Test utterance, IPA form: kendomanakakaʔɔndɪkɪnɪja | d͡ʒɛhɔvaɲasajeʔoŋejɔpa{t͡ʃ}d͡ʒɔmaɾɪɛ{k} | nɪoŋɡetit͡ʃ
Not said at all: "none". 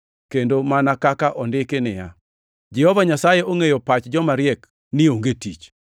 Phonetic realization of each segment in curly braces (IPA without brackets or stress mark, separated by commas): t͡ʃ, k